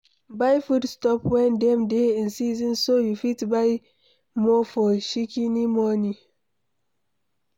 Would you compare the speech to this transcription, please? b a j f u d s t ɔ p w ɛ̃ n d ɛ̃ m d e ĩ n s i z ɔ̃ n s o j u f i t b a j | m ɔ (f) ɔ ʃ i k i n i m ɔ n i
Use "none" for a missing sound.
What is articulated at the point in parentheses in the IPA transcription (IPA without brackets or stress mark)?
f